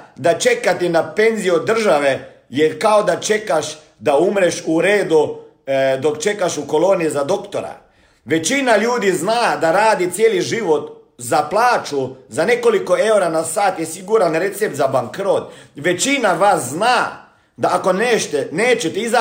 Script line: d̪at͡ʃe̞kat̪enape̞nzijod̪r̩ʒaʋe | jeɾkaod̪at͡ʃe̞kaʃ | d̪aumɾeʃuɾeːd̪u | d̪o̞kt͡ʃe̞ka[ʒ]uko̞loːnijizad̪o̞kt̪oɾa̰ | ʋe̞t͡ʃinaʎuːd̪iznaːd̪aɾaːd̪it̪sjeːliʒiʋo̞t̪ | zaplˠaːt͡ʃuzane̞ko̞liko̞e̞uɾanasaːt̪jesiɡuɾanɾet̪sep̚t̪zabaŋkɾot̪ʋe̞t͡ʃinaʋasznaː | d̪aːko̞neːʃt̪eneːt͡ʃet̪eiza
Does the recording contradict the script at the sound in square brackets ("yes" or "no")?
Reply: yes